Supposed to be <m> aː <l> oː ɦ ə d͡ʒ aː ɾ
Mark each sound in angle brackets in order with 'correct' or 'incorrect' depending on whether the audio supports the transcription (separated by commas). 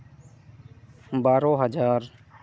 incorrect, incorrect